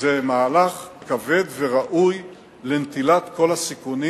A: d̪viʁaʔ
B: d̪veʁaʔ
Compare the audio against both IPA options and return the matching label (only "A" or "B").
B